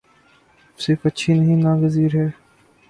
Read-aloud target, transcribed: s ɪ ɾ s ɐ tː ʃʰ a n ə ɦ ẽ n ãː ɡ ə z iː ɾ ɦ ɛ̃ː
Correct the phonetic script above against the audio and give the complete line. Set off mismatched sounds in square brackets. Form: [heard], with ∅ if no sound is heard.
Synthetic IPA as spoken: s ɪ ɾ [f] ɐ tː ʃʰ [i] n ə ɦ [ĩ] n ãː ɡ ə z iː ɾ ɦ [ɛː]